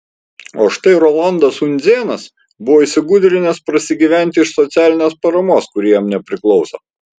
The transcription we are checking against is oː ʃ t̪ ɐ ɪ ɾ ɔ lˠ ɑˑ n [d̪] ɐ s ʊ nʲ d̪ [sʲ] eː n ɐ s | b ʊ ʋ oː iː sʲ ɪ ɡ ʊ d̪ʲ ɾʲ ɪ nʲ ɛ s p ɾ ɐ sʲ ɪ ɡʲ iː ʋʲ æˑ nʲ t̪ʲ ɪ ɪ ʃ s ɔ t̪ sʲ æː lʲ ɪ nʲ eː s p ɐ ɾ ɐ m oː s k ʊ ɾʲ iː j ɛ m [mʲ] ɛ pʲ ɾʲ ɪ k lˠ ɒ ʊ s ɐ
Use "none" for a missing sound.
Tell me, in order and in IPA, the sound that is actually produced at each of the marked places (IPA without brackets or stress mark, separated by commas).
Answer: d̪, zʲ, nʲ